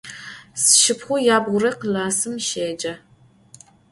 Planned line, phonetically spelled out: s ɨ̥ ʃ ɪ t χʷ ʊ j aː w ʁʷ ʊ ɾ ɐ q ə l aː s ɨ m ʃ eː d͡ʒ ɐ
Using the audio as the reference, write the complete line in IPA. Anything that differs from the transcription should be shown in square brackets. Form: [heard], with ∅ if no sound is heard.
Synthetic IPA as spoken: s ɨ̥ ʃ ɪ [p] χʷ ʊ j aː [b] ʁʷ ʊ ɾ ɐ q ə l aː s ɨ m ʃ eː d͡ʒ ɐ